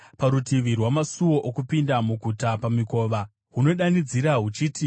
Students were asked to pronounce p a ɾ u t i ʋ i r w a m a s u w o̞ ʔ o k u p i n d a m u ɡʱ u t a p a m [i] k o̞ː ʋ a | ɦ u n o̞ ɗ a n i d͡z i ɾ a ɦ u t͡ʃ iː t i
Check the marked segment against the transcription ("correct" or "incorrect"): correct